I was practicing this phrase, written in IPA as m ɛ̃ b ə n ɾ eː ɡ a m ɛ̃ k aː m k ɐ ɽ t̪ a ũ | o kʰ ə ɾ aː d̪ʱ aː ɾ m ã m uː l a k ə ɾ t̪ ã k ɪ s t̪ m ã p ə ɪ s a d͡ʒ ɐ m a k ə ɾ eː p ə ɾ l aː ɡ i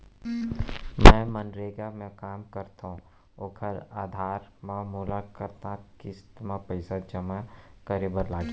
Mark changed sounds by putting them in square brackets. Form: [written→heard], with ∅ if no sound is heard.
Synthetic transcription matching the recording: m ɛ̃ [b→m] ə n ɾ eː ɡ a m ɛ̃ k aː m k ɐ [ɽ→ɾ] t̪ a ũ | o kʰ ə ɾ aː d̪ʱ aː ɾ m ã m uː l a k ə ɾ t̪ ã k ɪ s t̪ m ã p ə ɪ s a d͡ʒ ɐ m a k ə ɾ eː [p→b] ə ɾ l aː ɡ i